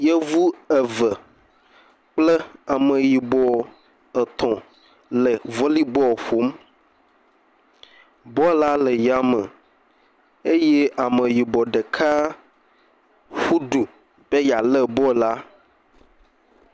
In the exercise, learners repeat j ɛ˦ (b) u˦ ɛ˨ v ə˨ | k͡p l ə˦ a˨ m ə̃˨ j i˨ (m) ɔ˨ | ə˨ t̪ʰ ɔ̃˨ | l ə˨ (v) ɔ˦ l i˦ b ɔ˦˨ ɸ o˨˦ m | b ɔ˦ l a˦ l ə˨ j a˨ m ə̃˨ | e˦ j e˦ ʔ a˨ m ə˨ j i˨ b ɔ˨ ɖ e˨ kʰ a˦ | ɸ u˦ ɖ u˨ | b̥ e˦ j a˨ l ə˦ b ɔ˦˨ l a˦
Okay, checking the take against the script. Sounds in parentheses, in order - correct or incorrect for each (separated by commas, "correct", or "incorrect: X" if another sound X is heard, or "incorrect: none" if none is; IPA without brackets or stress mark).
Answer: incorrect: v, incorrect: b, correct